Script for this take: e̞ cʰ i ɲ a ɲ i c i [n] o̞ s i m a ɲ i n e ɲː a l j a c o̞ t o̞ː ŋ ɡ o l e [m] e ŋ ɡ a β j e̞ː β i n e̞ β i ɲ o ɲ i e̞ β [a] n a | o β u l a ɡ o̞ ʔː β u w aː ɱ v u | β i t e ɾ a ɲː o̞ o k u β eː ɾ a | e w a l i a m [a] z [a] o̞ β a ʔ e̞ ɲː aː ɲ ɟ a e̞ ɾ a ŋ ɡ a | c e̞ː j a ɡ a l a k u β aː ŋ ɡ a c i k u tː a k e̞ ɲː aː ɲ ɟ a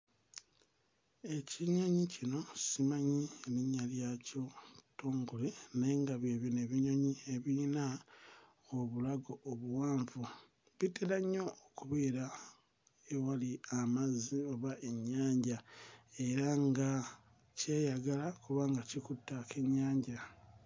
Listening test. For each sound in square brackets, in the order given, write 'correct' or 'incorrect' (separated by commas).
correct, incorrect, incorrect, correct, incorrect